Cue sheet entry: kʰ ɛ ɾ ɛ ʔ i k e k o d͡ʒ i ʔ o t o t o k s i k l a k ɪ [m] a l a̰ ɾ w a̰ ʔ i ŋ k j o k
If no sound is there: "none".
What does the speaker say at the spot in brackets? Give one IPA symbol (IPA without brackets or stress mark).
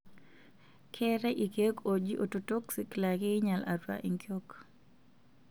ɲ